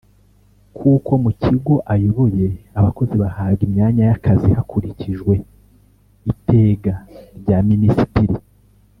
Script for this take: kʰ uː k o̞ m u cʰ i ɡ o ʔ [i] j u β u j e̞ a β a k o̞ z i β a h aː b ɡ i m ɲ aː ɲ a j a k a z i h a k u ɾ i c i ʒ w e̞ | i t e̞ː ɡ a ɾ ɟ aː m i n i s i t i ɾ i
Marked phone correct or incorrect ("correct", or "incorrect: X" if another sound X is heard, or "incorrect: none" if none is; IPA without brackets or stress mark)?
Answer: incorrect: a